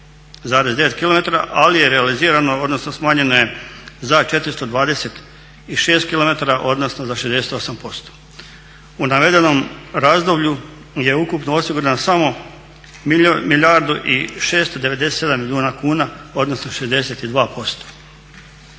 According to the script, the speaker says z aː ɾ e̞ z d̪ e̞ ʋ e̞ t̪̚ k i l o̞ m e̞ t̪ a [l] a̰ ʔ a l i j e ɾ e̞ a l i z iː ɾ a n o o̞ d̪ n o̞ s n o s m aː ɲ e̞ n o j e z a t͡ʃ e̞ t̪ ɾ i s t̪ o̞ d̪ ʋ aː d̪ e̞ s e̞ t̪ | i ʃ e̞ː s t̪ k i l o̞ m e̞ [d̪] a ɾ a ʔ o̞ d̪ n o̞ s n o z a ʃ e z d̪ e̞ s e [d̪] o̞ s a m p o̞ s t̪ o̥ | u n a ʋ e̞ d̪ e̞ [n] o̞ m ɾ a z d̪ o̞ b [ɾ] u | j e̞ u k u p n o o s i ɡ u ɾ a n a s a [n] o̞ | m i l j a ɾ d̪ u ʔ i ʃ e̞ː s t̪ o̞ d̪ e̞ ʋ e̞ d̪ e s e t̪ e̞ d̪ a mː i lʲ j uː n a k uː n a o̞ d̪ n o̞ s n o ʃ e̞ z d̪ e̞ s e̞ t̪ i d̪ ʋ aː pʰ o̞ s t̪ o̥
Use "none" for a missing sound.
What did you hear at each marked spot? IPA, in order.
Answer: ɾ, t̪, t̪, n, ʎ, m

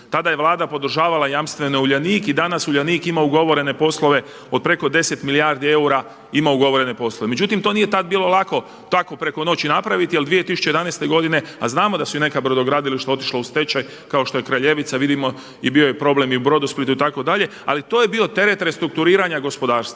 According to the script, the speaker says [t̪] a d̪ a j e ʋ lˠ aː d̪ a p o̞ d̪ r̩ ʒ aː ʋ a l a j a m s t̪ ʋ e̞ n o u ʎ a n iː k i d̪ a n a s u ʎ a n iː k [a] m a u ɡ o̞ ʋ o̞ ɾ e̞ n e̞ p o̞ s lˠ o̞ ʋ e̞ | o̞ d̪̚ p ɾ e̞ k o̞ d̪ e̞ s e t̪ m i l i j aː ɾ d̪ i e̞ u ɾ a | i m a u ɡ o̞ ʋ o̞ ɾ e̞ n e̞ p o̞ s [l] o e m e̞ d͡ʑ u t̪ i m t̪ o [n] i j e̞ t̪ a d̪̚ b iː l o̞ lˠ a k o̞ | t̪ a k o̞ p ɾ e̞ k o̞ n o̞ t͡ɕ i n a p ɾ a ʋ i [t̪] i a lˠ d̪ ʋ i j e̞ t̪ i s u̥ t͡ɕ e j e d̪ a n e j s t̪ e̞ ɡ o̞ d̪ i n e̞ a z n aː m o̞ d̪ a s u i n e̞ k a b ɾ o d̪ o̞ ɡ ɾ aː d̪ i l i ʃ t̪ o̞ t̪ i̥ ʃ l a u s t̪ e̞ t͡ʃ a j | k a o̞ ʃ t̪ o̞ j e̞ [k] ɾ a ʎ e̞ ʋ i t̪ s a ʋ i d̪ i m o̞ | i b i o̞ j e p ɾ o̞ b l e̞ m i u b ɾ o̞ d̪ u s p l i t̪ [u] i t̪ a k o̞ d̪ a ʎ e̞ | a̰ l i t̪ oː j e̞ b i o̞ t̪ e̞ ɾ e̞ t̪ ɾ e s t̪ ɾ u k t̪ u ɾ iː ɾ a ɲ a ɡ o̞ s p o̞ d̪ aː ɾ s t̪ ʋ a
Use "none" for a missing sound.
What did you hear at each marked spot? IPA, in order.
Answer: t̪, i, l, n, t̪, k, u

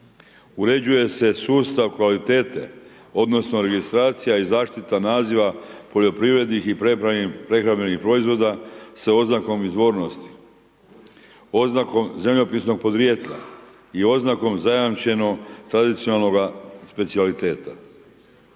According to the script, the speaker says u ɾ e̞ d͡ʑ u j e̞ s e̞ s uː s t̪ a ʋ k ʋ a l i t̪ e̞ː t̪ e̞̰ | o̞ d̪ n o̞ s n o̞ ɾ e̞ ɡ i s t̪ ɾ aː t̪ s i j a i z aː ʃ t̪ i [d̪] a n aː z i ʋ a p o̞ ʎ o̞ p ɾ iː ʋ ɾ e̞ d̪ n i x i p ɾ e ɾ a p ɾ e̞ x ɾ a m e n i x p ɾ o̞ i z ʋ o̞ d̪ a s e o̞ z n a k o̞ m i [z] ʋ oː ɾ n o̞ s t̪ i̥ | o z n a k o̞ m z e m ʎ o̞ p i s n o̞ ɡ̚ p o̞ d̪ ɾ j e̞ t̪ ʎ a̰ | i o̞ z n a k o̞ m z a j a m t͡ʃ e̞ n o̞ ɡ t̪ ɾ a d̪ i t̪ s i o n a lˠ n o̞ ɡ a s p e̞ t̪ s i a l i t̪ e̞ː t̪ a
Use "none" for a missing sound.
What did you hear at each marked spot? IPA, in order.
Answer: t̪, z

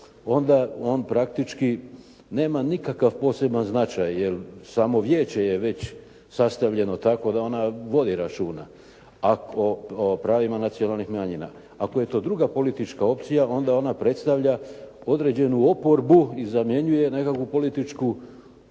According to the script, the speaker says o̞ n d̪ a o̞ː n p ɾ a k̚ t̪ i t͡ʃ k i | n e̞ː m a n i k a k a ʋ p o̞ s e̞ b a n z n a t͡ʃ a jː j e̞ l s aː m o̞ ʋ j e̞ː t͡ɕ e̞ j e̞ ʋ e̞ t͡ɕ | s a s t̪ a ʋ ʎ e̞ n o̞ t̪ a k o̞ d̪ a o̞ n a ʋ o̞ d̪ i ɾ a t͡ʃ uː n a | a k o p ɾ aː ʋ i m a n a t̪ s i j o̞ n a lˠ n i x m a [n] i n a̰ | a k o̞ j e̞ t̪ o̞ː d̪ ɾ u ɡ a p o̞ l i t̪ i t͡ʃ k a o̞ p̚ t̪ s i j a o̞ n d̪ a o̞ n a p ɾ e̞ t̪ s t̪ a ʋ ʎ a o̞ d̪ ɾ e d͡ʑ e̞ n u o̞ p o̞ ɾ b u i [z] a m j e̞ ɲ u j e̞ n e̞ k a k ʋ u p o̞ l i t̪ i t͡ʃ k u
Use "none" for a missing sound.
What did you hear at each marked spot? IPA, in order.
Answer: ɲ, z

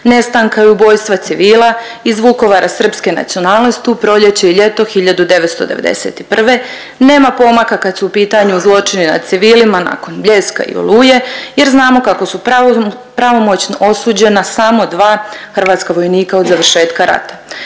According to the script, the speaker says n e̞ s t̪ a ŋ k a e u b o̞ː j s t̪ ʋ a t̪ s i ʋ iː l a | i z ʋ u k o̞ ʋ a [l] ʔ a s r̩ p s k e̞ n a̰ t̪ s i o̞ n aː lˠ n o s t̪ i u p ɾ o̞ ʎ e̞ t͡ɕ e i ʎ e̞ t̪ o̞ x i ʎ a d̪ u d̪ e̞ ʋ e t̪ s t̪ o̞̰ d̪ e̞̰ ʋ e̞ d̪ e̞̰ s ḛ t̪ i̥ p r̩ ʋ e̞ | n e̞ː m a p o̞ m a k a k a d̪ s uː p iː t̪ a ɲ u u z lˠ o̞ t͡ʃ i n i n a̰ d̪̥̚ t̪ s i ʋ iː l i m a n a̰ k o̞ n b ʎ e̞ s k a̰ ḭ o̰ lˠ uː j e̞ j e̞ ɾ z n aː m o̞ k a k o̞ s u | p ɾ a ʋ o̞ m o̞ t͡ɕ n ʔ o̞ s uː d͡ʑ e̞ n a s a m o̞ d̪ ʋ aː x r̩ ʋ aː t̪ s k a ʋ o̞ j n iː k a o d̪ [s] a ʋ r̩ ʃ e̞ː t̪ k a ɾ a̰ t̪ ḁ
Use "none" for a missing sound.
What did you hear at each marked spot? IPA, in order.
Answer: ɾ, z

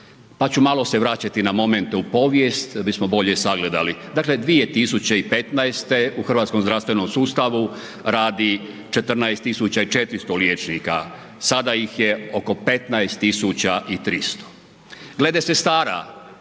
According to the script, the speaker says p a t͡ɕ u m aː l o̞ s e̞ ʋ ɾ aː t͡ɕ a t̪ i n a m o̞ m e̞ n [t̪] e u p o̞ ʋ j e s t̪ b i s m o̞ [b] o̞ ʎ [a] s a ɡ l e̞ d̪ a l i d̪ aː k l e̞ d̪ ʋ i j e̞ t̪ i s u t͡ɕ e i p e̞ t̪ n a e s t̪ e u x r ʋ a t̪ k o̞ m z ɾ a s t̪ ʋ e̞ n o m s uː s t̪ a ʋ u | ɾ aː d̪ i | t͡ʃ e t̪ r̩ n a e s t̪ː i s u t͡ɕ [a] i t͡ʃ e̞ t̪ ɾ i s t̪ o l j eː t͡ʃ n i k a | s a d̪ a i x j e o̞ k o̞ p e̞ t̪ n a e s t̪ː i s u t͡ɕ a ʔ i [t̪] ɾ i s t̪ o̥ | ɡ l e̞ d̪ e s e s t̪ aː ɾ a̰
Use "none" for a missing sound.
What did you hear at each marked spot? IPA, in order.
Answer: t̪, b, e, a, t̪

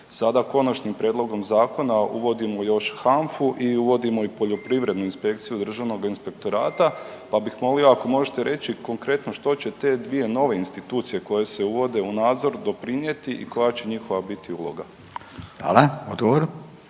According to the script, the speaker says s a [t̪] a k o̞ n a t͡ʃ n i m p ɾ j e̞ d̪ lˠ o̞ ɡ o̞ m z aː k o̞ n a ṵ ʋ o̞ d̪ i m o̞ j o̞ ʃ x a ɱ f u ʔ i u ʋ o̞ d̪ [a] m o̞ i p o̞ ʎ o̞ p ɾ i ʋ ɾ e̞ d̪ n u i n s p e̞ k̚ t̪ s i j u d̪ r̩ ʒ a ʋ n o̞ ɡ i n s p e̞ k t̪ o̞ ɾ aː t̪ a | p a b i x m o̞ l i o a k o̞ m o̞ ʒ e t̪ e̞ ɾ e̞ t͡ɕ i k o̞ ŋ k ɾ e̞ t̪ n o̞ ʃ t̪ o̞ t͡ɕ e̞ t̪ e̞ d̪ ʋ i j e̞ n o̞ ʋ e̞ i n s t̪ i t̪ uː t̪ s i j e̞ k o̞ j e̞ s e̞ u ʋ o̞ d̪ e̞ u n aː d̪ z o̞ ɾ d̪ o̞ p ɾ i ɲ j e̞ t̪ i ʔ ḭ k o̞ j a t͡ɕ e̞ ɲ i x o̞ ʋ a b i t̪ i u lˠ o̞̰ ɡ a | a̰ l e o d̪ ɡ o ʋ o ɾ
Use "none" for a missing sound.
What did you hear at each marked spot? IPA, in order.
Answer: d̪, i

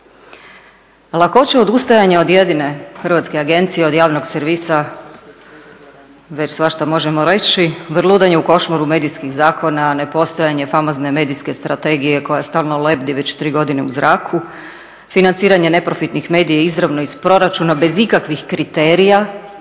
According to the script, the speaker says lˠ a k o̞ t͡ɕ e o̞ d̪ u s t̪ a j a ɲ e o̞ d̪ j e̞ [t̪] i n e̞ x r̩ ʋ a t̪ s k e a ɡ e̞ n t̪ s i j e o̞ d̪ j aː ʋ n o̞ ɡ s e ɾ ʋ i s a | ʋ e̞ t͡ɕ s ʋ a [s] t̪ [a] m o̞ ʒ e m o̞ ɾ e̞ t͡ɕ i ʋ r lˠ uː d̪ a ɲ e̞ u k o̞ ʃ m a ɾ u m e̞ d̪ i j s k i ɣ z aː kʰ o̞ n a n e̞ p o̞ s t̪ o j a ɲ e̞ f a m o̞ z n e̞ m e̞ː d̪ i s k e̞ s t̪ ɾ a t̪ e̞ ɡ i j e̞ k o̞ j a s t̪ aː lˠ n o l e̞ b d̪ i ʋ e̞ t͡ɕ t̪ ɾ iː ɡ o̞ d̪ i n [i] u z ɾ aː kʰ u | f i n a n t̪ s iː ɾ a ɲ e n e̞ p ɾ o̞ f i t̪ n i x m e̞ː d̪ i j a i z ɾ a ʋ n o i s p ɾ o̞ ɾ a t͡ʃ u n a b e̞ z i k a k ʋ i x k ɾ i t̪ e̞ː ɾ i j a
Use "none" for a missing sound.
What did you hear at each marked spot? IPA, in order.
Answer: d̪, ʃ, a, e

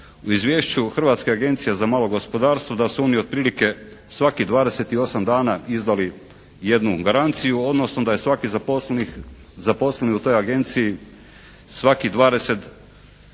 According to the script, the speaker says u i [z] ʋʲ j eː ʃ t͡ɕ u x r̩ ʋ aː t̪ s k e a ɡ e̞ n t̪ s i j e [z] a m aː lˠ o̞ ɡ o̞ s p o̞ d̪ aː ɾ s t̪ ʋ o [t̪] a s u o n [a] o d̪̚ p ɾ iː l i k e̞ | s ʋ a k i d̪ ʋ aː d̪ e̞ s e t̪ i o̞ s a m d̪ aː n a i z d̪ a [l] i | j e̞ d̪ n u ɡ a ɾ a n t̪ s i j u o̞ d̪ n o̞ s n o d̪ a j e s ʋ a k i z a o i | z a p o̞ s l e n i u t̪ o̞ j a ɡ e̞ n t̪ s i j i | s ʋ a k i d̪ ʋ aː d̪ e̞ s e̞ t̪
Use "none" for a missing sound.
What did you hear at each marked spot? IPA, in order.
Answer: z, z, d̪, i, l

